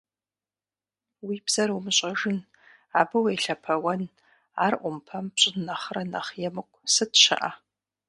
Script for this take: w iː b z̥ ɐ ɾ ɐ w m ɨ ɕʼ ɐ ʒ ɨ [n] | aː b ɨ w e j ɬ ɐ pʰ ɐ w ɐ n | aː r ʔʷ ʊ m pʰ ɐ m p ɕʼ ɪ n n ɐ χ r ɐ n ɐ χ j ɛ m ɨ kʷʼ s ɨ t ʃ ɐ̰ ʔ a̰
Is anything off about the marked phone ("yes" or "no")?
no